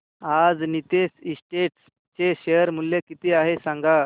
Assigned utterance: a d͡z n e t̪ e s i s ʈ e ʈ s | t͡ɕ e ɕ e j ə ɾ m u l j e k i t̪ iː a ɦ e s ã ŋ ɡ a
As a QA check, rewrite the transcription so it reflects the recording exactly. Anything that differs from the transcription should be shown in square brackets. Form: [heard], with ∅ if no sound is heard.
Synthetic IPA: a d͡z n [i] t̪ e s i s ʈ e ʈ s | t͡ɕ e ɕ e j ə ɾ m u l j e k i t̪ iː a ɦ e s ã ŋ ɡ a